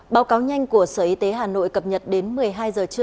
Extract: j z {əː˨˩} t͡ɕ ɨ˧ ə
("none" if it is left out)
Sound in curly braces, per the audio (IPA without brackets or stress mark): əː˨˩